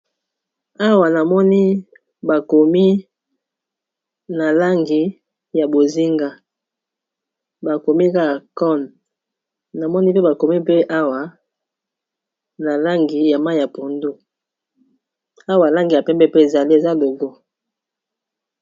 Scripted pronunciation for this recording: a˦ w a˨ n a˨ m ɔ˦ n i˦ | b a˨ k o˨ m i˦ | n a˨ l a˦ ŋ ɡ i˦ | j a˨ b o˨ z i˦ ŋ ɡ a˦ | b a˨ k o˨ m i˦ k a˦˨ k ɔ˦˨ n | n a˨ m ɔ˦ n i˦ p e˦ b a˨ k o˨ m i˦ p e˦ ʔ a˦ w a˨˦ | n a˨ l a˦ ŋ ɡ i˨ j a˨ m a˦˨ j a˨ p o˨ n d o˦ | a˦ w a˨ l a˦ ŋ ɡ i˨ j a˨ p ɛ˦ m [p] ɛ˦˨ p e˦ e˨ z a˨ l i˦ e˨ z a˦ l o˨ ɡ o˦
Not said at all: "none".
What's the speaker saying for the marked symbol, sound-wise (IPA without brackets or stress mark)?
b